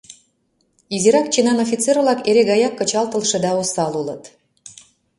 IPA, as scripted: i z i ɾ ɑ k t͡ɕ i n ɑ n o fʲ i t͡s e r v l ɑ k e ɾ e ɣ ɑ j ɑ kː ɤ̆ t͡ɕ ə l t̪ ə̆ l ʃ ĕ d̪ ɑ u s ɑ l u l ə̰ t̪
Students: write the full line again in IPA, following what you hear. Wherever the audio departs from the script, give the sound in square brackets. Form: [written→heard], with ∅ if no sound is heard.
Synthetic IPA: i z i ɾ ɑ k t͡ɕ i n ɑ n o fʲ i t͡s e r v l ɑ k e ɾ e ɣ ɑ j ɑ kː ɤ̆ t͡ɕ [ə→ɑ] l t̪ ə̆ l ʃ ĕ d̪ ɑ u s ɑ l u l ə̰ t̪